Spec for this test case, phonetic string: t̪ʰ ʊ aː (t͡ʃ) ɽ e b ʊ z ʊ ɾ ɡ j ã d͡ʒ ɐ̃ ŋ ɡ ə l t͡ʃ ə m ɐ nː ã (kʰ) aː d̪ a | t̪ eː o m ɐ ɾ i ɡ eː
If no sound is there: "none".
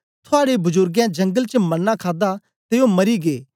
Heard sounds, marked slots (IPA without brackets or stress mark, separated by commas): none, kʰ